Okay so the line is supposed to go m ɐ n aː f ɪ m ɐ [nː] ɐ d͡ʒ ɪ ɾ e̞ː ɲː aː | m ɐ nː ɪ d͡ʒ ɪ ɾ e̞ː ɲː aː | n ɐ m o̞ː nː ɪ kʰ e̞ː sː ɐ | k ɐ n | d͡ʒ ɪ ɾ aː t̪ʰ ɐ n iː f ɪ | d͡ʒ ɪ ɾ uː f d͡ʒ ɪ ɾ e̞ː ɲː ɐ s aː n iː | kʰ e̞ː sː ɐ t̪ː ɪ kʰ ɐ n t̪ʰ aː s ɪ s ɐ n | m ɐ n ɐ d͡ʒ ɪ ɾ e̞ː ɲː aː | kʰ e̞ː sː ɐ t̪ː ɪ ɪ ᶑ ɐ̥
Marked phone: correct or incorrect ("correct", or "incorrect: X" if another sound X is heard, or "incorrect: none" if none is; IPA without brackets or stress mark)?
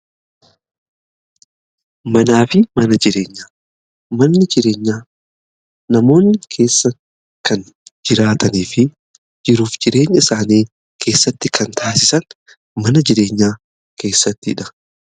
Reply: incorrect: n